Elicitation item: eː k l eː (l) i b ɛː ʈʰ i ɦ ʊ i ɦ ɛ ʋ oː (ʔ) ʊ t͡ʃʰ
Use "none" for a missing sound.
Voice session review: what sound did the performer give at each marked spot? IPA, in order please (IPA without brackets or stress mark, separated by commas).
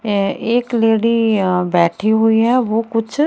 ɽ, k